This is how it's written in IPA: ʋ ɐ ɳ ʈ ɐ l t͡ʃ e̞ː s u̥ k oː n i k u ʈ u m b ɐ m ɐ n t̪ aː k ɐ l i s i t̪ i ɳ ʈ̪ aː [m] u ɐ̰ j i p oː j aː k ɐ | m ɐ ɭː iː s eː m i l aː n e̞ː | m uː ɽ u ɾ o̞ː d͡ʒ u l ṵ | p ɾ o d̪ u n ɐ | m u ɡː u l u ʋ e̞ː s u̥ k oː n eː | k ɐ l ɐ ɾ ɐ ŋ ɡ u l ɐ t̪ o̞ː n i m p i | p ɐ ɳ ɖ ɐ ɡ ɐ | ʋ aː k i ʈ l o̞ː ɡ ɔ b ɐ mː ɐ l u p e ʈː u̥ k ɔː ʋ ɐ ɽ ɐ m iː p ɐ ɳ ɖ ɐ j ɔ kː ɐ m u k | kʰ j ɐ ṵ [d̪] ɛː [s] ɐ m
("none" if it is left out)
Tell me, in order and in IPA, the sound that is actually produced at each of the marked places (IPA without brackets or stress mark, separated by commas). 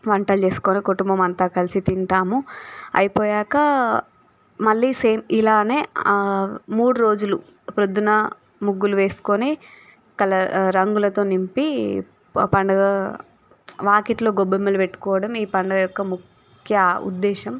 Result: m, d̪ː, ʃ